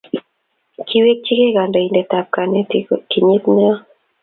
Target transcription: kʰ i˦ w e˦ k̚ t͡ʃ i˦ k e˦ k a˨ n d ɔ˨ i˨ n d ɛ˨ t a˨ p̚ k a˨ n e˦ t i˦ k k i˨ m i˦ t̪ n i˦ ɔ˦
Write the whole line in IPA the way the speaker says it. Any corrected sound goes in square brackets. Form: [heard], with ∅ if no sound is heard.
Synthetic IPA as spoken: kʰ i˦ w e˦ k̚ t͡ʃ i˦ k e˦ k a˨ n d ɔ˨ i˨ n d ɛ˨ t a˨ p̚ k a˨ n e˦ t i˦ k k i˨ [ɲ] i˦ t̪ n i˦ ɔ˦